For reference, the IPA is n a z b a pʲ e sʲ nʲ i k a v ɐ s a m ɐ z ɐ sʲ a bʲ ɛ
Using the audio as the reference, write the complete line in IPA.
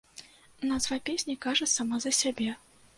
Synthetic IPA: n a z v a pʲ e sʲ nʲ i k a ʐ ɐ s a m a z ɐ sʲ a bʲ ɛ